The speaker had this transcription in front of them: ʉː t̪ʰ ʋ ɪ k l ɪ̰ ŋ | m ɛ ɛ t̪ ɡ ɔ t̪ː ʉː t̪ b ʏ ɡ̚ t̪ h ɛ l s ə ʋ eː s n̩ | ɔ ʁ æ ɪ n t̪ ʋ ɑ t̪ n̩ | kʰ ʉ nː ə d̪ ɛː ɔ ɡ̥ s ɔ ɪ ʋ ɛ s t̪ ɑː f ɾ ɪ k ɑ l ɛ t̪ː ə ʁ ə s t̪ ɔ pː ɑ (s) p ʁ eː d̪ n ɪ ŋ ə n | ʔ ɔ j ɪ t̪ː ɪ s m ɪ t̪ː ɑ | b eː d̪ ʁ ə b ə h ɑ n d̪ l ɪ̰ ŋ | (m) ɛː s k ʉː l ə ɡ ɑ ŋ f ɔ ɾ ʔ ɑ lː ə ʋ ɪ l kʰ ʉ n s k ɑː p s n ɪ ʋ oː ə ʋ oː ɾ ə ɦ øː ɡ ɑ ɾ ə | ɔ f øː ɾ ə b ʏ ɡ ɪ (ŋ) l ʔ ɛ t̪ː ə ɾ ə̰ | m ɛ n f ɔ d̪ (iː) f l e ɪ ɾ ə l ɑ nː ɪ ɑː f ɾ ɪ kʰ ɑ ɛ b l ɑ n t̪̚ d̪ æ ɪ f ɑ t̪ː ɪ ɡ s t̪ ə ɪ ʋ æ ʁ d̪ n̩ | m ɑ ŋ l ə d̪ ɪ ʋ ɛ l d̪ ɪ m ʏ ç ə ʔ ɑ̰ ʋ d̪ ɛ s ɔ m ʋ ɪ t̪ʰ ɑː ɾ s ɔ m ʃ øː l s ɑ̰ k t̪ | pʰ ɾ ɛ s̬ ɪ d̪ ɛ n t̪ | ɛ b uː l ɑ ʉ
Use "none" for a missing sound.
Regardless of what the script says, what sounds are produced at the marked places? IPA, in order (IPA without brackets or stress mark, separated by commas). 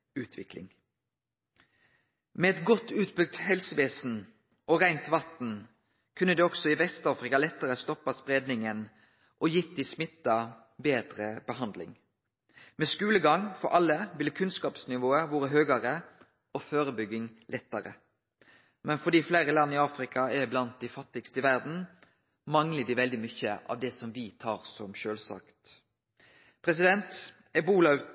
s, m, ŋ, iː